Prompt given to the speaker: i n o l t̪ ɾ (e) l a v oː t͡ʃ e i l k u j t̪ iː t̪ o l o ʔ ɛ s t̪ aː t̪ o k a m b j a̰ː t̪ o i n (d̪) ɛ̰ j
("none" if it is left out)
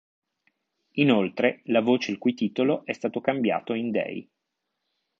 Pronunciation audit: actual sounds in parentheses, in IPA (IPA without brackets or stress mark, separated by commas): e, d̪